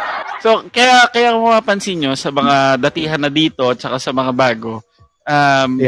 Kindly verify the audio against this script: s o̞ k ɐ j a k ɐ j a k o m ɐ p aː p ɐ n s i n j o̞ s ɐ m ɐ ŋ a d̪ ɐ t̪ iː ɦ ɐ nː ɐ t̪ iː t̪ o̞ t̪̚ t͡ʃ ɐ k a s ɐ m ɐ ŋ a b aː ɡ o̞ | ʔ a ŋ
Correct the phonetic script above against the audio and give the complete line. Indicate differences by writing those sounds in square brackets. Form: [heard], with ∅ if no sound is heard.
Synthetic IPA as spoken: s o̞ k ɐ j a k ɐ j a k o m ɐ p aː p ɐ n s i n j o̞ s ɐ m ɐ ŋ a d̪ ɐ t̪ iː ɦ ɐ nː ɐ [d̪] iː t̪ o̞ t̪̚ t͡ʃ ɐ k a s ɐ m ɐ ŋ a b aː ɡ o̞ | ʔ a [m]